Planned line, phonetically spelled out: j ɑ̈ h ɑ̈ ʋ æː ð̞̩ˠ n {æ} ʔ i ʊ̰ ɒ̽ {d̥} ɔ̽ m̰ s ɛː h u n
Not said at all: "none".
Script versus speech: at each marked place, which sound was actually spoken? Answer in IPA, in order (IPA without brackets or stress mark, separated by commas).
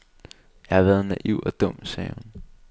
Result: æ, d̥